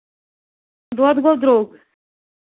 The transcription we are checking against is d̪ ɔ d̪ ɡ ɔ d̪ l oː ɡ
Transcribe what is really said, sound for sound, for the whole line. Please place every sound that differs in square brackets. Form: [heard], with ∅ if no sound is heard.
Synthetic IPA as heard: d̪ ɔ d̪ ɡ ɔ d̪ [ɾ] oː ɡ